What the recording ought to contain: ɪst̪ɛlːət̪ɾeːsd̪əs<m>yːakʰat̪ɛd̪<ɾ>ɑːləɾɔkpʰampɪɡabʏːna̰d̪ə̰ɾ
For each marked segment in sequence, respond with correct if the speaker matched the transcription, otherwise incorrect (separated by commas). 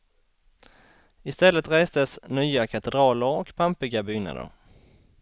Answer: incorrect, correct